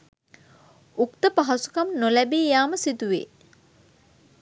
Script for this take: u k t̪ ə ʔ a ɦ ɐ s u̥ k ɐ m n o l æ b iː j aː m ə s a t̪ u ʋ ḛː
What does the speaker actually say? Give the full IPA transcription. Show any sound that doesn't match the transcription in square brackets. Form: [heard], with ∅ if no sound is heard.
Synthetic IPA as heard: u k t̪ ə [p] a ɦ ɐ s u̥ k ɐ m n o l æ b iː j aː m ə s [i] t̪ u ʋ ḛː

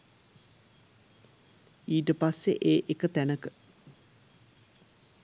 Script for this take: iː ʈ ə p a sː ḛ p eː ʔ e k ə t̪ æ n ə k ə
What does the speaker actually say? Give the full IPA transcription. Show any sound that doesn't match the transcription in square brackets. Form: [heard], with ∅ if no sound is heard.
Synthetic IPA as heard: iː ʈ ə p a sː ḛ [ʔ] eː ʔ e k ə t̪ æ n ə k ə

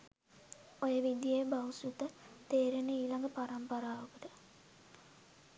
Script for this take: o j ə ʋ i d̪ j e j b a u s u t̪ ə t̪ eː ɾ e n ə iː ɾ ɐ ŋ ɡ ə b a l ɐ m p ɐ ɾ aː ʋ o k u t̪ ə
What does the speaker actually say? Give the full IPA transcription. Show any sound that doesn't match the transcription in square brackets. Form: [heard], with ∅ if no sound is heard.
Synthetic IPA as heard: o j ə ʋ i d̪ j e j b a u s u t̪ ə t̪ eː ɾ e n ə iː [l] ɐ ŋ ɡ ə [p] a [ɾ] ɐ m p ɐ ɾ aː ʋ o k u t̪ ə

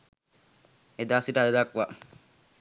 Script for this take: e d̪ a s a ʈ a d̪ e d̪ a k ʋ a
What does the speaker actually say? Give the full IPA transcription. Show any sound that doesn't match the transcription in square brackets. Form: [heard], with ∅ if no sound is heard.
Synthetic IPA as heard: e d̪ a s [i] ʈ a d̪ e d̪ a k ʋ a

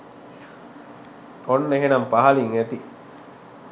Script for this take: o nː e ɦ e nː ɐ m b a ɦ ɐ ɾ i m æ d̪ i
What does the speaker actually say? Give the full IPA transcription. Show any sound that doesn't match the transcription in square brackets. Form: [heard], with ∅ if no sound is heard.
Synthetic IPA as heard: o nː e ɦ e [n] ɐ m [p] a ɦ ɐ [l] i [ŋ] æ [t̪] i

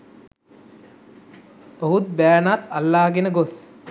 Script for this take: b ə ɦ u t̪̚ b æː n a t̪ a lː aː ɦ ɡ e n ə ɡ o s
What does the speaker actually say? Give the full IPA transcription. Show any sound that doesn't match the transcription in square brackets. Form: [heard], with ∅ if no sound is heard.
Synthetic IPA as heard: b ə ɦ u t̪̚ b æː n a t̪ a lː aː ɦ ɡ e n ə ɡ o s

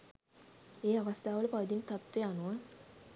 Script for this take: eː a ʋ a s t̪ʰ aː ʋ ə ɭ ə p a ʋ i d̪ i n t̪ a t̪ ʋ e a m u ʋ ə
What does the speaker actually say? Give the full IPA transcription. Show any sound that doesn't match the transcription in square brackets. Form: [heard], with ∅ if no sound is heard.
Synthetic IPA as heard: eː a ʋ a s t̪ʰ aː ʋ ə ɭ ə p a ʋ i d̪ i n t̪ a t̪ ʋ e a [n] u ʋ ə

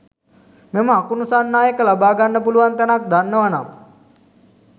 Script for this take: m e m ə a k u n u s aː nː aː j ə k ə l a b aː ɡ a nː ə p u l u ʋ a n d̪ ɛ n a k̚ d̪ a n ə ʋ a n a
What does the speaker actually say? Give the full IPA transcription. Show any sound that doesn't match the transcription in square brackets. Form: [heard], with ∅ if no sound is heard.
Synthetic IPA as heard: m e m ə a k u n u s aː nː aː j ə k ə l a b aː ɡ a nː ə p u l u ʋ a n [t̪] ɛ n a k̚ d̪ a [nː] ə ʋ a n a

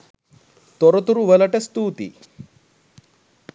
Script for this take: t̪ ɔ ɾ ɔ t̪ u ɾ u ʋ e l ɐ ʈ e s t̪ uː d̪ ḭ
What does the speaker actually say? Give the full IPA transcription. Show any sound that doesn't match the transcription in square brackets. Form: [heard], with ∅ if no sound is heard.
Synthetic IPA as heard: t̪ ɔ ɾ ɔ t̪ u ɾ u ʋ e l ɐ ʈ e s t̪ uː [t̪] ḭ

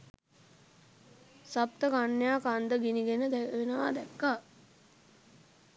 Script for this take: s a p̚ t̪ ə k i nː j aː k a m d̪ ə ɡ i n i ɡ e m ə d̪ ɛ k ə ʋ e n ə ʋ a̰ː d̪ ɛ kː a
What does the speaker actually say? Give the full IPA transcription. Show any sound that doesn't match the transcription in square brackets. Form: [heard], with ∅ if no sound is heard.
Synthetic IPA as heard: s a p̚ t̪ ə k [a] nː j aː k a [n] d̪ ə ɡ i n i ɡ e [n] ə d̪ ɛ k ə ʋ e n ə ʋ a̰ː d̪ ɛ kː a

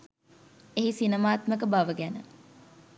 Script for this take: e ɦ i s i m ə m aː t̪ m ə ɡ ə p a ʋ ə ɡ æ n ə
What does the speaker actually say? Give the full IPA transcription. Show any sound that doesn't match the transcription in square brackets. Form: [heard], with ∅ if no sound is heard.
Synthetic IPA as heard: e ɦ i s i [n] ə m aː t̪ m ə [k] ə [b] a ʋ ə ɡ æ n ə

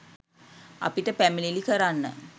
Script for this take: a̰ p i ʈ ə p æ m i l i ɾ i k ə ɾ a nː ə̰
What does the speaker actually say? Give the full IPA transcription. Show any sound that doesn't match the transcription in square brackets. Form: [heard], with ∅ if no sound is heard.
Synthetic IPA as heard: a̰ p i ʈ ə p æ m i l i [l] i k ə ɾ a nː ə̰

